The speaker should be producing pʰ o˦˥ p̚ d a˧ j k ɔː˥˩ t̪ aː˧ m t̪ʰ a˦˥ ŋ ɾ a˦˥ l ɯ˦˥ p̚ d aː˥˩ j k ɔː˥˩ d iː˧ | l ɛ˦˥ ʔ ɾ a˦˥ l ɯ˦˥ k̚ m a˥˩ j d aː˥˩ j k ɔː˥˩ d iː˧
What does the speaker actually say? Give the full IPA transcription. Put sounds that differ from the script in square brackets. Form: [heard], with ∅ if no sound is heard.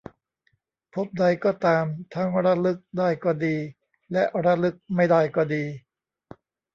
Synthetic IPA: pʰ o˦˥ p̚ d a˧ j k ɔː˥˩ t̪ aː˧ m t̪ʰ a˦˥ ŋ ɾ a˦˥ l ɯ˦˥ [k̚] d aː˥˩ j k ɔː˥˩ d iː˧ | l ɛ˦˥ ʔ ɾ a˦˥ l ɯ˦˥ k̚ m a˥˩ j d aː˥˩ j k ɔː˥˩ d iː˧

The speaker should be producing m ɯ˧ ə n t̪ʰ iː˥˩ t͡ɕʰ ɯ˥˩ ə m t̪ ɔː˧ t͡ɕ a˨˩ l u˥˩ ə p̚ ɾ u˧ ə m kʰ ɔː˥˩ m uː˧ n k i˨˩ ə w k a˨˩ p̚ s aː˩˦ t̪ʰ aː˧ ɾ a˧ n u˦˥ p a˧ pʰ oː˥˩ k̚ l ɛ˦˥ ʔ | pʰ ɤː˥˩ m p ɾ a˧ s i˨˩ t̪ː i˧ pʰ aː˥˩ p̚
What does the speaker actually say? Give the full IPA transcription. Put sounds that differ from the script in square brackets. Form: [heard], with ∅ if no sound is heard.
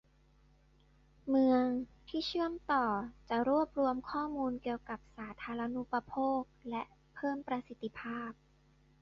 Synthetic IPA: m ɯ˧ ə [ŋ] t̪ʰ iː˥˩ t͡ɕʰ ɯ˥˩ ə m t̪ [ɔː˨˩] t͡ɕ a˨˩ [ɾ] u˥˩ ə p̚ ɾ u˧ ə m kʰ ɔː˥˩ m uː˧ n k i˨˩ ə w k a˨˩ p̚ s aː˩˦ t̪ʰ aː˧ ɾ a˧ n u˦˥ p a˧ pʰ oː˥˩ k̚ l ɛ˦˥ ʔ | pʰ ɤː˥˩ m p ɾ a˧ s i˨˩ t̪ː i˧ pʰ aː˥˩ p̚

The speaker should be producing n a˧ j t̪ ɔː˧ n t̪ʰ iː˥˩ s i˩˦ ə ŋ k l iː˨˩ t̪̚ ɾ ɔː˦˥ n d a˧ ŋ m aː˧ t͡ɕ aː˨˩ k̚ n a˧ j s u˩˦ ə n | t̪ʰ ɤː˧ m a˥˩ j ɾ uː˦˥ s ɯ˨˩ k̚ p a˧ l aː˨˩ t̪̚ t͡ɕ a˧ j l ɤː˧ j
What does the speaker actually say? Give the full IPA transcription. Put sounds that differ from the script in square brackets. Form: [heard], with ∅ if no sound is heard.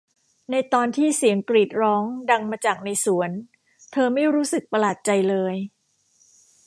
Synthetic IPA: n a˧ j t̪ ɔː˧ n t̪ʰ iː˥˩ s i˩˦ ə ŋ k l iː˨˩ t̪̚ ɾ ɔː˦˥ [ŋ] d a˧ ŋ m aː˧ t͡ɕ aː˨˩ k̚ n a˧ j s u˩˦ ə n | t̪ʰ ɤː˧ m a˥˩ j ɾ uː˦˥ s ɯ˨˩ k̚ p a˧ l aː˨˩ t̪̚ t͡ɕ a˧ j l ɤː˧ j

